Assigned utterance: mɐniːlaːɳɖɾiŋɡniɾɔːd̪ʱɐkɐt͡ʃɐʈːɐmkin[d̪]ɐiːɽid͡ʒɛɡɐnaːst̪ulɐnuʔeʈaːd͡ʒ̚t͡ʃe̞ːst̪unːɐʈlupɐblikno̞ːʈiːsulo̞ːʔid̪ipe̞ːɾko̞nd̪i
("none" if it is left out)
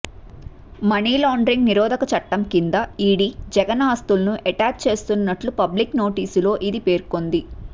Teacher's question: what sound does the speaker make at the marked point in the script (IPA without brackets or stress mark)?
d̪